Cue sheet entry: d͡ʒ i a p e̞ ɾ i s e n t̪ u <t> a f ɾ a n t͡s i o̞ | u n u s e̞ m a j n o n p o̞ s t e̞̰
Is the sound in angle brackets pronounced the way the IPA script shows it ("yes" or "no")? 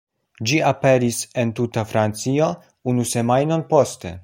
yes